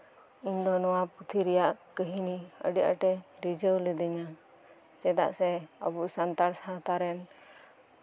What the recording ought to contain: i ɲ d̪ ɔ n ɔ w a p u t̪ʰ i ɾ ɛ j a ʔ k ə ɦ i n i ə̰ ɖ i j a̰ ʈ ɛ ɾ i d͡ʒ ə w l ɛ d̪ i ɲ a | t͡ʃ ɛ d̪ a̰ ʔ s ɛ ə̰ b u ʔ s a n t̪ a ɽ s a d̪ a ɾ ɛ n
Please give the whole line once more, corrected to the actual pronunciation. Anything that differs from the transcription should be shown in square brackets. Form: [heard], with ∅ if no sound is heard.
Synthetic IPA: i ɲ d̪ ɔ n ɔ w a p u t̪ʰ i ɾ ɛ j a ʔ k ə ɦ i n i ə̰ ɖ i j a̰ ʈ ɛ ɾ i d͡ʒ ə w l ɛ d̪ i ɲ a | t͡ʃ ɛ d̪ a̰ ʔ s ɛ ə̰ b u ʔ s a n t̪ a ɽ s a [t̪] a ɾ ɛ n